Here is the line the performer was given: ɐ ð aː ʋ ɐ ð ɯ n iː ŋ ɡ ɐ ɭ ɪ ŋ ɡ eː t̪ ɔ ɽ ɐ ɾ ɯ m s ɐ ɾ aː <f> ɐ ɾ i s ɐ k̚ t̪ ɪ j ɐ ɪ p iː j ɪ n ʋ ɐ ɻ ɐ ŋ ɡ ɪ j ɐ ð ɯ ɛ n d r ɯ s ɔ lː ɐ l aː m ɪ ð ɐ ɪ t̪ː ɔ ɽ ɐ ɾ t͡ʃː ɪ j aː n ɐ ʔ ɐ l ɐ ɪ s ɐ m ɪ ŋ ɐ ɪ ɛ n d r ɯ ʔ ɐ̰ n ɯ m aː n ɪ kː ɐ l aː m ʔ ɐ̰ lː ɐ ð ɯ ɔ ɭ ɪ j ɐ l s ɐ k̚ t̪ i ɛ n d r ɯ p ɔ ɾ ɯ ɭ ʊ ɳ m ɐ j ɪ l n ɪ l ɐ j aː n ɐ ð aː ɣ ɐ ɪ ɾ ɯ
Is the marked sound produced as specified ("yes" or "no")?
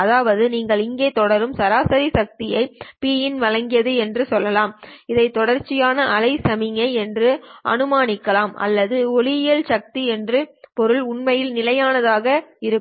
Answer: no